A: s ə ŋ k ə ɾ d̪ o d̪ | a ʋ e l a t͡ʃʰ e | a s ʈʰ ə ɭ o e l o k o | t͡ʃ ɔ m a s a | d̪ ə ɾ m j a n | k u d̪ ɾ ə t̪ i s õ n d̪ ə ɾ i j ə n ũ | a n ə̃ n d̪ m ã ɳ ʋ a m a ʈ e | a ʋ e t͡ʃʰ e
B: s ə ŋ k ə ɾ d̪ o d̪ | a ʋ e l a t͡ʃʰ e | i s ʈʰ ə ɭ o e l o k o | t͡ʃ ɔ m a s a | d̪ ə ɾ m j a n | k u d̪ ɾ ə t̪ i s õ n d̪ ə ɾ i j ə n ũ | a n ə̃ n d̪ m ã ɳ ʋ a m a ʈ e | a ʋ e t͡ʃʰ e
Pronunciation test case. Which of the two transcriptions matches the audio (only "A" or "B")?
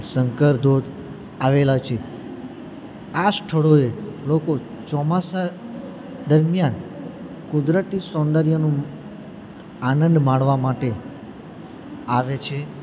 A